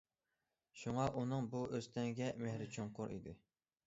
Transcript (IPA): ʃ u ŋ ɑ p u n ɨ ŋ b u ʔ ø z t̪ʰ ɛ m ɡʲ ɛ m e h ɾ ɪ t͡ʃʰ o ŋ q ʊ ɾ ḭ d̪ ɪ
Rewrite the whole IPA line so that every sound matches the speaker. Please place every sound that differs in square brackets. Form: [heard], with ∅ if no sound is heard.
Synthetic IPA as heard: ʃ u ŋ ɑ [ʔ] u n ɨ ŋ b u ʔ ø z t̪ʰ ɛ [ŋ] ɡʲ ɛ m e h ɾ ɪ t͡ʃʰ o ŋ q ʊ ɾ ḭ d̪ ɪ